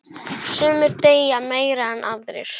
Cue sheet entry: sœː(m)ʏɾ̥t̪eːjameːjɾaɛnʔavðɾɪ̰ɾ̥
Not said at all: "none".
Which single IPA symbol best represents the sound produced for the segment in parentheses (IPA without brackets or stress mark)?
m